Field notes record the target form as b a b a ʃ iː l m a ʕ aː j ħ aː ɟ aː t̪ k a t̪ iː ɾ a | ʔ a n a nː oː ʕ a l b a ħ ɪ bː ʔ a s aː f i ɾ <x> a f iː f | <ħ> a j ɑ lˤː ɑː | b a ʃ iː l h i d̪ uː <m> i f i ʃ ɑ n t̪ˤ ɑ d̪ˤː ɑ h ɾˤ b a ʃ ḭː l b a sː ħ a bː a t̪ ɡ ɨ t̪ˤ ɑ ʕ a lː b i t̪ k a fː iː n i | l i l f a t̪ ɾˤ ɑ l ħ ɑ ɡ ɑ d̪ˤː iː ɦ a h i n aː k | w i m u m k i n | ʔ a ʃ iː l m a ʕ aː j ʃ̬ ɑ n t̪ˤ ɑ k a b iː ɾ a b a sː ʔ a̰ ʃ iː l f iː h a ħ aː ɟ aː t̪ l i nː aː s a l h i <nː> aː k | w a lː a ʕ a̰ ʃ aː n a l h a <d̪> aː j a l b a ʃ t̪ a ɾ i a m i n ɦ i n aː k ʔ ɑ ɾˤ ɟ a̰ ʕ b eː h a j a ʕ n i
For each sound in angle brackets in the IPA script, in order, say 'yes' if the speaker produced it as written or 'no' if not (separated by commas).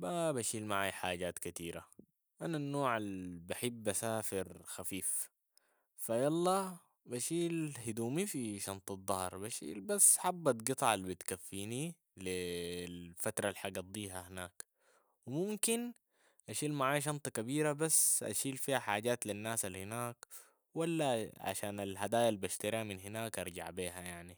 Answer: yes, no, yes, no, yes